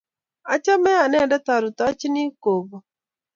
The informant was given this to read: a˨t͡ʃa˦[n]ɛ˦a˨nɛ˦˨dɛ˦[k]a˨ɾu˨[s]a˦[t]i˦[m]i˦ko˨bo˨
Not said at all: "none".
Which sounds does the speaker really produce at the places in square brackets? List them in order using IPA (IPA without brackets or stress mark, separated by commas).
m, t, t, t͡ʃ, n